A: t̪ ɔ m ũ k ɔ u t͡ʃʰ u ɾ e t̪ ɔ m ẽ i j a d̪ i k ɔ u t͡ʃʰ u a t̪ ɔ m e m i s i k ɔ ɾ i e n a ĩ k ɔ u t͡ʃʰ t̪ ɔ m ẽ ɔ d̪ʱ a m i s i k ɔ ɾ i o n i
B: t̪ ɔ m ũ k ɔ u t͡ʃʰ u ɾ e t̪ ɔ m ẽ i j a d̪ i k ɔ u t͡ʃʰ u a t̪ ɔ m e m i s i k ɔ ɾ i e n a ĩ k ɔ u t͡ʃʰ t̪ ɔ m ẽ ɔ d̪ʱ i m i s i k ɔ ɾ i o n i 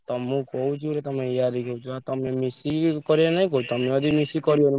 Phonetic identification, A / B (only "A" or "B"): B